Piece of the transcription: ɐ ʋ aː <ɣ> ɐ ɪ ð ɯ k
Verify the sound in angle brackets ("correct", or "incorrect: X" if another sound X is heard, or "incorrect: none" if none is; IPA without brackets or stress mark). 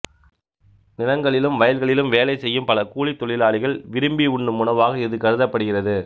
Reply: correct